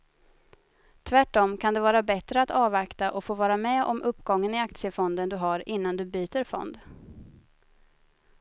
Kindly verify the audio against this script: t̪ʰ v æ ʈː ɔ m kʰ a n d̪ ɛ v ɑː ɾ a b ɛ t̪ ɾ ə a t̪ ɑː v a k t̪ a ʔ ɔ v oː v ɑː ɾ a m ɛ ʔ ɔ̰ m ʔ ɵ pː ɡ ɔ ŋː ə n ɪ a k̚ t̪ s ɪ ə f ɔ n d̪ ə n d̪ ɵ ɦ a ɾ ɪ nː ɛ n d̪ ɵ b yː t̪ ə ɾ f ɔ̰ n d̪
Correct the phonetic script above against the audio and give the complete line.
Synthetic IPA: t̪ʰ v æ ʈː ɔ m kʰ a n d̪ ɛ v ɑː ɾ a b ɛ t̪ ɾ ə a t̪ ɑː v a k t̪ a ʔ ɔ f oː v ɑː ɾ a m ɛ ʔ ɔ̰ m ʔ ɵ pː ɡ ɔ ŋː ə n ɪ a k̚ t̪ s ɪ ə f ɔ n d̪ ə n d̪ ɵ ɦ a ɾ ɪ nː a n d̪ ɵ b yː t̪ ə ɾ f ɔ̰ n d̪